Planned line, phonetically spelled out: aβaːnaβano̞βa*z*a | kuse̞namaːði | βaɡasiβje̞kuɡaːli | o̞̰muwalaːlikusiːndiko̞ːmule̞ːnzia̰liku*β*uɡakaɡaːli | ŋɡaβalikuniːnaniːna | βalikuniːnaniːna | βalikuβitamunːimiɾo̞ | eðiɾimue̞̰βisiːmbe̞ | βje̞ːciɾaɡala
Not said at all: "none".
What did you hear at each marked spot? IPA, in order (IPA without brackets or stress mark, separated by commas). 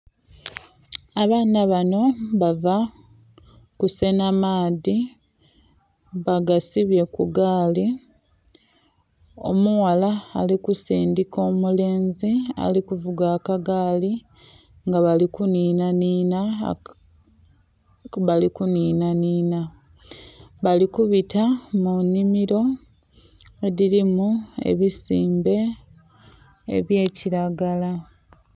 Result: v, v